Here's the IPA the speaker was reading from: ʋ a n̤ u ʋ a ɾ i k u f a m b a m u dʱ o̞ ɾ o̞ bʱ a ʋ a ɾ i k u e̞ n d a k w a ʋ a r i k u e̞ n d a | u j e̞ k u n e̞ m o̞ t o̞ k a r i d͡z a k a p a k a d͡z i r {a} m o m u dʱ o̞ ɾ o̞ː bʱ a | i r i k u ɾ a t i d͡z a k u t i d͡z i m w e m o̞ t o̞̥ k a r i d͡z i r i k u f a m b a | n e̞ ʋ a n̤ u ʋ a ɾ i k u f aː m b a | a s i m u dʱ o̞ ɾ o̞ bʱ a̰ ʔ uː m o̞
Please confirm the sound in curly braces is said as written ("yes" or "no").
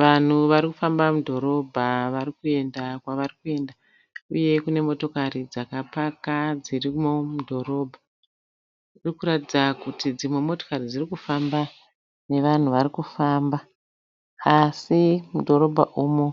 no